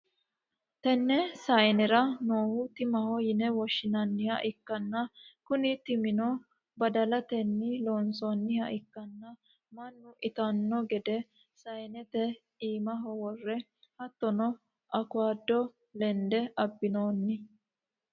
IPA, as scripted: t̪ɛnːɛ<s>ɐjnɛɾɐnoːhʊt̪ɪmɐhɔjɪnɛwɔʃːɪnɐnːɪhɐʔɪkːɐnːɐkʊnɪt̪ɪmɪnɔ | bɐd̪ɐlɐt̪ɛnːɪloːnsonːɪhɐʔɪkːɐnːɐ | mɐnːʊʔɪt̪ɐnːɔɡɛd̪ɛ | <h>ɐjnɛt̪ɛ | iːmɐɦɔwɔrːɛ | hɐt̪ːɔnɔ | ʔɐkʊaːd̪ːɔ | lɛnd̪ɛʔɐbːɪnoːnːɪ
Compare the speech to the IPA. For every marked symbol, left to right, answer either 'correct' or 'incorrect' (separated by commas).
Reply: correct, incorrect